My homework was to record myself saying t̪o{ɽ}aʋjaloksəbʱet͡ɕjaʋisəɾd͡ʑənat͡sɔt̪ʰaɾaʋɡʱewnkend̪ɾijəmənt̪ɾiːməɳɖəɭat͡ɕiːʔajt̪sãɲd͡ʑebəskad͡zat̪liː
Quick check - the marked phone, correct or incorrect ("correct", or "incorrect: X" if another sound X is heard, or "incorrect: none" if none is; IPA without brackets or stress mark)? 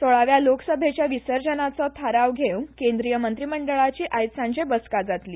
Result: incorrect: ɭ